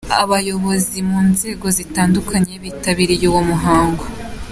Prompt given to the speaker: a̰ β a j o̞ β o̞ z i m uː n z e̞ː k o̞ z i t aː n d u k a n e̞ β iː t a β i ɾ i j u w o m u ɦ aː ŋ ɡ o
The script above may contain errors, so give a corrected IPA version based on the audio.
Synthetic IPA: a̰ β a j o̞ β o̞ z i m uː n z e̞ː ɡ o̞ z i t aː n d u k a ɲ e̞ β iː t a β i ɾ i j u w o m u ɦ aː ŋ ɡ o